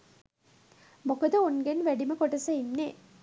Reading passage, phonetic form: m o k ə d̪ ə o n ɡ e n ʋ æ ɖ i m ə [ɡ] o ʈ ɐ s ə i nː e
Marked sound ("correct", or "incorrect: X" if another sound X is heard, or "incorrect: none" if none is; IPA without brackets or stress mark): incorrect: k